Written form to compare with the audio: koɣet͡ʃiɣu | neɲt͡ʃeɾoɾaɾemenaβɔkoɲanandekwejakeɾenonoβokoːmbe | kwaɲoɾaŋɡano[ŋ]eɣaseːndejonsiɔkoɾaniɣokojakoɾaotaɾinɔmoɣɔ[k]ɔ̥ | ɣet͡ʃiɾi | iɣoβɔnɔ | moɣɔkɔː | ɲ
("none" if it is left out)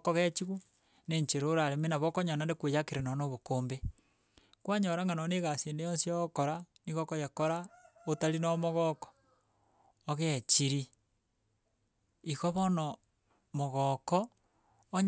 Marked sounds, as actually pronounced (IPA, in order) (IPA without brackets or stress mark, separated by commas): n, k